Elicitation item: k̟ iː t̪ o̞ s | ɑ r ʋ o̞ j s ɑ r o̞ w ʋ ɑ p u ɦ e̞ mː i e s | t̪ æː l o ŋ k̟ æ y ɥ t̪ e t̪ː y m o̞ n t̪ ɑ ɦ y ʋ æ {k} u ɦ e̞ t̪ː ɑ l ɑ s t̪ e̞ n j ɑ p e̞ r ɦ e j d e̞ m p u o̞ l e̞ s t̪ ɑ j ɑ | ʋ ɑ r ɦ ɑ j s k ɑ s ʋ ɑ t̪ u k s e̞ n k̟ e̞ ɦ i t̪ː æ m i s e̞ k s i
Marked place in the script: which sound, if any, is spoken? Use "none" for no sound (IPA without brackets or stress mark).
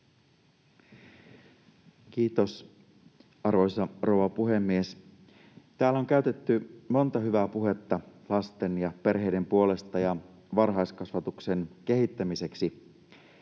p